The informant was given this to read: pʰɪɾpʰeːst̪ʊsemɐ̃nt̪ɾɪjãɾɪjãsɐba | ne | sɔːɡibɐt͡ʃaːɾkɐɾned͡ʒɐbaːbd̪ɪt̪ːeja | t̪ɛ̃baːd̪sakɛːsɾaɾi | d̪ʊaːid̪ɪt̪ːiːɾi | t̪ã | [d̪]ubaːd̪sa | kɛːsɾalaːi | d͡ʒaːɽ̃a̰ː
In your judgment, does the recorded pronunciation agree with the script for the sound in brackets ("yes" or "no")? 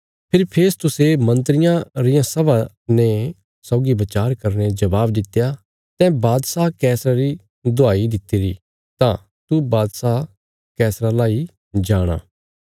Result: no